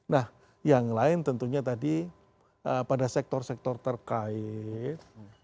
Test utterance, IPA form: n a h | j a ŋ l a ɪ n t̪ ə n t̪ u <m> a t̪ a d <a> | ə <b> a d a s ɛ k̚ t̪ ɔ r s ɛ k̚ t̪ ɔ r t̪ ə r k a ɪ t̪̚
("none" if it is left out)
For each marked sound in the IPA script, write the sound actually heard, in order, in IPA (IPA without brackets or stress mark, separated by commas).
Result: ɲ, i, p